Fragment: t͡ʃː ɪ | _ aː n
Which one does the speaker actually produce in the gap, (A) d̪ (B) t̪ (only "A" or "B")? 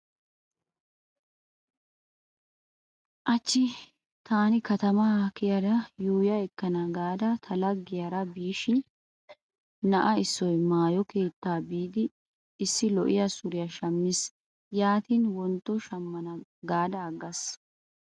B